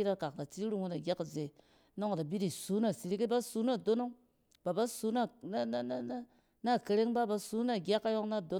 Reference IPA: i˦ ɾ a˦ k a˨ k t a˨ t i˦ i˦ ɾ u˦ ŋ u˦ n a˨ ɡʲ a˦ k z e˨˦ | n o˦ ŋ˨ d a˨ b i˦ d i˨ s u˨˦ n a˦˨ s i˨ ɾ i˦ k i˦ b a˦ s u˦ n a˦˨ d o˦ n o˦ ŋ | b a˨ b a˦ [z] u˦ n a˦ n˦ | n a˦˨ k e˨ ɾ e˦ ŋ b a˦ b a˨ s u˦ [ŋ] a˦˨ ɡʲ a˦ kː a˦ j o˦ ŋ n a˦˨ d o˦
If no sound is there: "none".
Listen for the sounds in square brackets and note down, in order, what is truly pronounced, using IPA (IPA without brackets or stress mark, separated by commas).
s, n